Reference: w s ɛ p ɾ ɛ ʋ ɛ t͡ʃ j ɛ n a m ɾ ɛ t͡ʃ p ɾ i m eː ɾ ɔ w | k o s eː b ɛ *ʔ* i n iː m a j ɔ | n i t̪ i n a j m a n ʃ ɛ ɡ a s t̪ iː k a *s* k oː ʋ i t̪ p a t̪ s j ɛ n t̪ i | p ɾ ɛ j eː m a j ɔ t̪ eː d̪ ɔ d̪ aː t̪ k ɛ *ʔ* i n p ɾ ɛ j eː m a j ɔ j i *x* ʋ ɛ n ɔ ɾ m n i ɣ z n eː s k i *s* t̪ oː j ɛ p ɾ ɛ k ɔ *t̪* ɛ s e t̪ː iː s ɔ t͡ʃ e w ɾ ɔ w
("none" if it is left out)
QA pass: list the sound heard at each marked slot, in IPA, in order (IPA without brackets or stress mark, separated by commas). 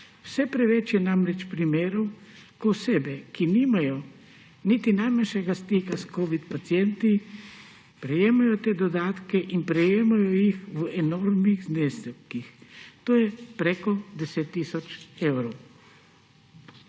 k, s, ʔ, x, x, d̪